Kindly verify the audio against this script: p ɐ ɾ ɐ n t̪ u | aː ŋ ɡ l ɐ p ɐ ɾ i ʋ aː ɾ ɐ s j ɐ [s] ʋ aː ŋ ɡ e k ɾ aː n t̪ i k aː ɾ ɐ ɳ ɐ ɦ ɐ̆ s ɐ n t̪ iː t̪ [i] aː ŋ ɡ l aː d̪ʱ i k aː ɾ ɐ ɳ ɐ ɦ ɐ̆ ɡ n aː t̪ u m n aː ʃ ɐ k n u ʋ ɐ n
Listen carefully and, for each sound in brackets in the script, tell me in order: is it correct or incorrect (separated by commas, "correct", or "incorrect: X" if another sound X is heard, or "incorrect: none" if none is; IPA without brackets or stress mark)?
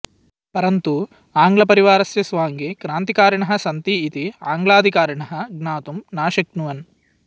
correct, correct